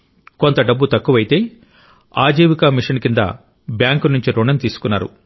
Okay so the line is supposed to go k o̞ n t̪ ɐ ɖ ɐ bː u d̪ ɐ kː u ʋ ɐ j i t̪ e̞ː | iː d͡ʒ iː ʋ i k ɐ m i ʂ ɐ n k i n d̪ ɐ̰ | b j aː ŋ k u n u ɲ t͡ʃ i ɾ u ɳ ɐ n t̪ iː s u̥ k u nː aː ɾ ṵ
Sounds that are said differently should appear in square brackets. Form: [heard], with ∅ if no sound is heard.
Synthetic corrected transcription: k o̞ n t̪ ɐ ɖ ɐ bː u [t̪] ɐ kː u ʋ ɐ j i t̪ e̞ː | [aː] d͡ʒ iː ʋ i k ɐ m i ʂ ɐ n k i n d̪ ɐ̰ | b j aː ŋ k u n u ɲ t͡ʃ i ɾ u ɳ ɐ n t̪ iː s u̥ k u nː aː ɾ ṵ